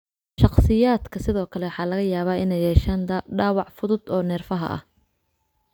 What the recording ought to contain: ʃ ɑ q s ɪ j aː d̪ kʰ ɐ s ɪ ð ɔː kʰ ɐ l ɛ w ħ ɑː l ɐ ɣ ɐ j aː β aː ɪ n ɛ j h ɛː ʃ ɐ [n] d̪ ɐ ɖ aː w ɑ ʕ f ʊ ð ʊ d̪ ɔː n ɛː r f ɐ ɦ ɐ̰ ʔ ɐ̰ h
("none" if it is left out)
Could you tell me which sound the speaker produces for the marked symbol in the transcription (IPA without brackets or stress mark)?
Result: n